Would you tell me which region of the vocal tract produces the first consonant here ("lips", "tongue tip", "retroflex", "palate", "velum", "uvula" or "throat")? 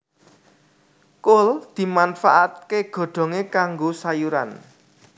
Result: velum